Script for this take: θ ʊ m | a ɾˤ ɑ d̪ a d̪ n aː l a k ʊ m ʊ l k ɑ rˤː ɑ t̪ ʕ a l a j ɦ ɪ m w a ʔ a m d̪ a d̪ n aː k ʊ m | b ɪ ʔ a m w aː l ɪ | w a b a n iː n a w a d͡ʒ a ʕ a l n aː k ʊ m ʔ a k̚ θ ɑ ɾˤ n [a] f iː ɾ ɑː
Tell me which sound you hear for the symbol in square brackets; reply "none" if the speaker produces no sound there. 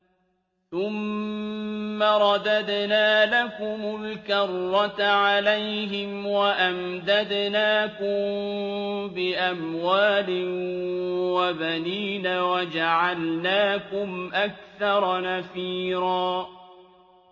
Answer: a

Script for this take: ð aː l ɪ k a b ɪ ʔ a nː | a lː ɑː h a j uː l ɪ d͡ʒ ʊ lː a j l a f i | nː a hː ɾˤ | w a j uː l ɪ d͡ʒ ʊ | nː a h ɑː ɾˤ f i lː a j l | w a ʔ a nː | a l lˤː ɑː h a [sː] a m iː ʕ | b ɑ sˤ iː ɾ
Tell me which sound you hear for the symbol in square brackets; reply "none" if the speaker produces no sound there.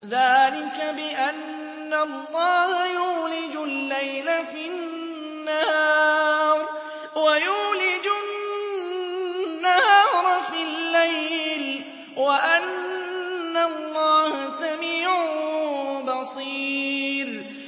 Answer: s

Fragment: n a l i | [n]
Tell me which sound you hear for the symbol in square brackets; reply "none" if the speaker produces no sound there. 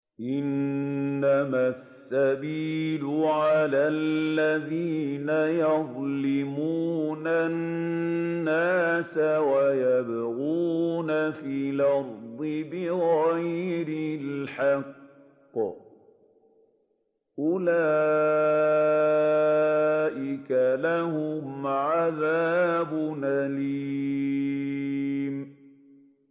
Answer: m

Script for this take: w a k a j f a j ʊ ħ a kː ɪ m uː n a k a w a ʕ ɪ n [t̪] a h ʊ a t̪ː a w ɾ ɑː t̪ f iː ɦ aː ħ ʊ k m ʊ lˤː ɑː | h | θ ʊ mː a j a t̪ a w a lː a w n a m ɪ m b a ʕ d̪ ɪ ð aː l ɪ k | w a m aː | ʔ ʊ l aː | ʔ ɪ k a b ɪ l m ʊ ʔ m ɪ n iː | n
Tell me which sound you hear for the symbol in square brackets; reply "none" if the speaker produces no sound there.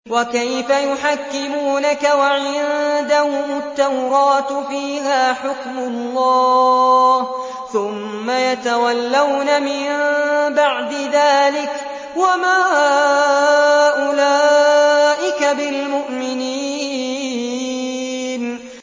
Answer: d̪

